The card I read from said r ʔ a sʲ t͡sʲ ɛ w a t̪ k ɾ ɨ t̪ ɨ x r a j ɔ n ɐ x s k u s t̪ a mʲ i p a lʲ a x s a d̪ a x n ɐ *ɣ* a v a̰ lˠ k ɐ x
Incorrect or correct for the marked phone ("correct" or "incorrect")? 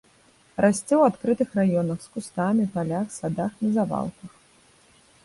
incorrect